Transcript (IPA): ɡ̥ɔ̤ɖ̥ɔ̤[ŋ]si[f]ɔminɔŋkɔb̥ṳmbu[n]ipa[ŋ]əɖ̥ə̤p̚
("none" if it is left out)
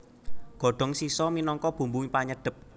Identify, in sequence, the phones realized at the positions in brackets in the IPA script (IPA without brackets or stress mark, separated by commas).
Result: ŋ, s, ŋ, ɲ